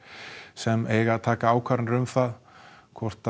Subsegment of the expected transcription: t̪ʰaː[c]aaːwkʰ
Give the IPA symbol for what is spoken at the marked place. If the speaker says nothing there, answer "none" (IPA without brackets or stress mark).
k